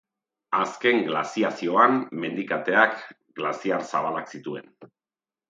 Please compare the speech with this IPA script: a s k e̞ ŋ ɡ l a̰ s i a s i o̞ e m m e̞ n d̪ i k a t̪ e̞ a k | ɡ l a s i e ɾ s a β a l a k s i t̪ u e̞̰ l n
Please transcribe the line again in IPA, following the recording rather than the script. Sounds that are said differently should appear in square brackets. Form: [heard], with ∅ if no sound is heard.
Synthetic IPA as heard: a s k e̞ ŋ ɡ l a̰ s i a s i o̞ [a] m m e̞ n d̪ i k a t̪ e̞ a k | ɡ l a s i [a] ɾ s a β a l a k s i t̪ u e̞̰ [∅] n